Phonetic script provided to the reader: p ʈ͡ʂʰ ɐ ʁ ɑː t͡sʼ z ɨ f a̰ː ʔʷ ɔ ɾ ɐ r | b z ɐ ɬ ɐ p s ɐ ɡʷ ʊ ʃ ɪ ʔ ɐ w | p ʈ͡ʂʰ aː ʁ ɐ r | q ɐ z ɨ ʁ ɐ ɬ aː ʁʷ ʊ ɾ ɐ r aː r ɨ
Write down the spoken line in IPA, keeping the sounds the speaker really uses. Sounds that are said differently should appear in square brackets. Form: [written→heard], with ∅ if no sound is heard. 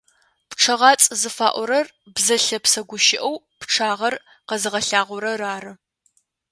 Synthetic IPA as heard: p ʈ͡ʂʰ ɐ ʁ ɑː t͡sʼ z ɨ f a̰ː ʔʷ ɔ ɾ ɐ r | b z ɐ ɬ ɐ p s ɐ ɡʷ ʊ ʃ ɪ ʔ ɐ w | p ʈ͡ʂʰ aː ʁ ɐ r | q ɐ z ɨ ʁ ɐ ɬ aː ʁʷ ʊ ɾ ɐ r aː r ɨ